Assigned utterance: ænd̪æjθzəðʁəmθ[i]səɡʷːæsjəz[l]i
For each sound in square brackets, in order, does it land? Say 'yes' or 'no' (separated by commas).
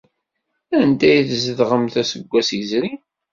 no, no